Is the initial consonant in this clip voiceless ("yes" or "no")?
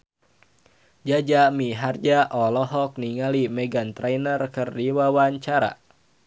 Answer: no